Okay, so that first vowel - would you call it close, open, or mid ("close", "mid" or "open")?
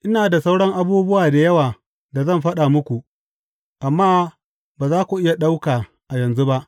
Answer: close